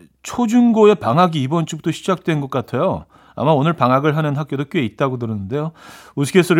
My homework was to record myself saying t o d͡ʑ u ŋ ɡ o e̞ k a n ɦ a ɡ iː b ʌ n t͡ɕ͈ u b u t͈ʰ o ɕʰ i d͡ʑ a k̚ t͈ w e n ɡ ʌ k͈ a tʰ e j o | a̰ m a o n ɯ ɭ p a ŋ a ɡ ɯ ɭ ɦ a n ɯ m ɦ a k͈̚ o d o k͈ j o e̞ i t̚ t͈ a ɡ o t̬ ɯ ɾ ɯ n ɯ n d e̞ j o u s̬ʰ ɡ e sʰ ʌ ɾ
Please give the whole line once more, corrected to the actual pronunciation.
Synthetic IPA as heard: t͡ɕʰ o d͡ʑ u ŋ ɡ o e̞ p a ŋ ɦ a ɡ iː b ʌ n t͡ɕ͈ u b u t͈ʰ o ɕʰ i d͡ʑ a k̚ t͈ w e n ɡ ʌ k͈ a tʰ e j o | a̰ m a o n ɯ ɭ p a ŋ a ɡ ɯ ɭ ɦ a n ɯ n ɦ a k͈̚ o d o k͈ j o e̞ i t̚ t͈ a ɡ o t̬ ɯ ɾ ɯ n ɯ n d e̞ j o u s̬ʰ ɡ e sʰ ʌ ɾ